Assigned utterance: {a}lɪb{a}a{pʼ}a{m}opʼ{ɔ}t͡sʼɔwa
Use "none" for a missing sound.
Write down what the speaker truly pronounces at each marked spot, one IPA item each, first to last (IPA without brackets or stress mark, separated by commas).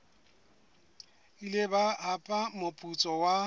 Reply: i, a, pʼ, m, u